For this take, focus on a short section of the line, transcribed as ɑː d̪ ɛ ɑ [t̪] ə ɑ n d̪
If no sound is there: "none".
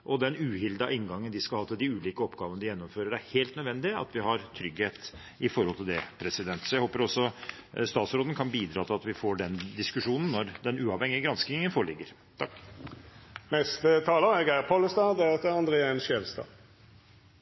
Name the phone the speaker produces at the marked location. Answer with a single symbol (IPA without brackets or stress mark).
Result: t̪